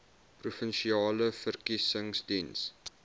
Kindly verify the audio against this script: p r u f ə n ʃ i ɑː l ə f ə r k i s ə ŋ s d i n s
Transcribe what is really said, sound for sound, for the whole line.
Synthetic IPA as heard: p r u f ə n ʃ i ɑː l ə f ə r k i s ə ŋ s d i n s